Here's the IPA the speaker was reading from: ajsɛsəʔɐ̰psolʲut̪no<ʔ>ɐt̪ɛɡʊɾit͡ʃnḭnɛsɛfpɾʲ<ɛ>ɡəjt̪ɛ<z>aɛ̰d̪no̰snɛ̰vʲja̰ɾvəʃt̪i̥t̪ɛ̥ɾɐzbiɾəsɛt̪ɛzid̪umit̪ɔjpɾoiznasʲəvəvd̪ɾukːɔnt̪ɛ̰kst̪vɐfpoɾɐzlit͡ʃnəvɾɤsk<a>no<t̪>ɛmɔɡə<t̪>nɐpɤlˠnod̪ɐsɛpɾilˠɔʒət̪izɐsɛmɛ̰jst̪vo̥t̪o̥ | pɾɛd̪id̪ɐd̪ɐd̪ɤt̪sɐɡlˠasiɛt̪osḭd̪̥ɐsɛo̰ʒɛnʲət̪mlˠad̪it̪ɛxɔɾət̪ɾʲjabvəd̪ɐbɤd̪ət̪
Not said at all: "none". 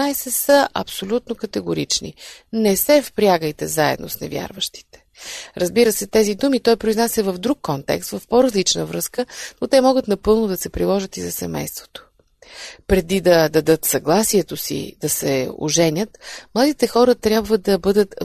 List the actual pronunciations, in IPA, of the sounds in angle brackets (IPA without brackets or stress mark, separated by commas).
k, a, z, ə, t̪, t̪